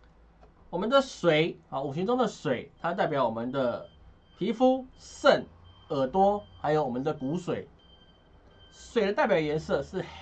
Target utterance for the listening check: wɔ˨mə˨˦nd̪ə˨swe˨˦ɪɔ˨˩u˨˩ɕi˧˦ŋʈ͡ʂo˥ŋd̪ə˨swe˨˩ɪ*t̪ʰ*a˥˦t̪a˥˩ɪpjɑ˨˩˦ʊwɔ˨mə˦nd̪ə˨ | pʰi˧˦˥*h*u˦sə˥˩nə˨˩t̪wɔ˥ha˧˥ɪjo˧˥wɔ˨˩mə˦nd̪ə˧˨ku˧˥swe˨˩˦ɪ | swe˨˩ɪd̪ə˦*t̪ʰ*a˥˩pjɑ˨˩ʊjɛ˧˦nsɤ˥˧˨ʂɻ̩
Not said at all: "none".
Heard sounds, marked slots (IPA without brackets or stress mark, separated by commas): t̪ʰ, f, t̪